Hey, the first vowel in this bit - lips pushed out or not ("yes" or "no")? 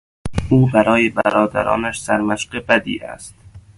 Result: yes